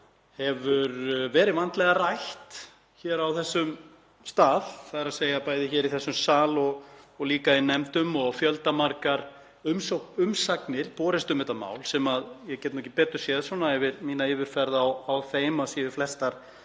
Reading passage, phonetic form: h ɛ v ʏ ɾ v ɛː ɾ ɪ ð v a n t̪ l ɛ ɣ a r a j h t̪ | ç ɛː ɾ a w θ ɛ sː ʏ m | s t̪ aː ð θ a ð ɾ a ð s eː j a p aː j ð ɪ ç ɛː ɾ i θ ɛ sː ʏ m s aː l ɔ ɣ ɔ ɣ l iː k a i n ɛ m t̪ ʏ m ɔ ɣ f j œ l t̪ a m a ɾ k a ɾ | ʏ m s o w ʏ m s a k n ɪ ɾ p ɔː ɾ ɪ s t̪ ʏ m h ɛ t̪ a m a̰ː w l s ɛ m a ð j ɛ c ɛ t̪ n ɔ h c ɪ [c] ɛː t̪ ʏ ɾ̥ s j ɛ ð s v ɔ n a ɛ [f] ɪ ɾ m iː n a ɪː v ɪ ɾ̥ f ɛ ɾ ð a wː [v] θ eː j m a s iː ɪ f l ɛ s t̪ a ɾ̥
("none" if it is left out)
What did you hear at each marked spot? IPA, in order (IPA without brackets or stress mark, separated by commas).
p, v, w